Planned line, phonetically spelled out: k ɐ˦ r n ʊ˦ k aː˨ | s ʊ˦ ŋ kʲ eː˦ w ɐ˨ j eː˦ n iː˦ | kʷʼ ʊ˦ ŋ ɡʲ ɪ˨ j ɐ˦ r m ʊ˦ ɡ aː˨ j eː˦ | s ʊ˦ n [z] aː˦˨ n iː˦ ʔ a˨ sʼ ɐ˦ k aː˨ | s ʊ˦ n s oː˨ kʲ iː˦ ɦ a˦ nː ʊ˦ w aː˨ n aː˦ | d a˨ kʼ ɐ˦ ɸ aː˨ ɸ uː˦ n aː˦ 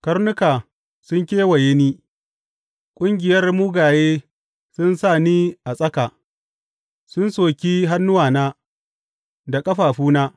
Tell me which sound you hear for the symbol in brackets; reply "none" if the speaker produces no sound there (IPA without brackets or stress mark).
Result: s